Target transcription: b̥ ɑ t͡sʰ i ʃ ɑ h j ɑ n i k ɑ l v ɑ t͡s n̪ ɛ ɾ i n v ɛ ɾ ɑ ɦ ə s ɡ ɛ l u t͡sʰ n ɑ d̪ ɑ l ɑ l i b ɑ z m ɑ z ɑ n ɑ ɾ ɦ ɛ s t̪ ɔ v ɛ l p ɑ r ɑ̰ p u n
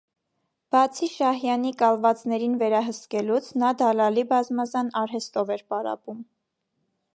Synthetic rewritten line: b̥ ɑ t͡sʰ i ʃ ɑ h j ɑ n i k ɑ l v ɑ t͡s n̪ ɛ ɾ i n v ɛ ɾ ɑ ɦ ə s k ɛ l u t͡sʰ n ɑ d̪ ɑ l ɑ l i b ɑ z m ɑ z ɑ n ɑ ɾ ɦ ɛ s t̪ ɔ v ɛ ɾ p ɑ ɾ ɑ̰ p u m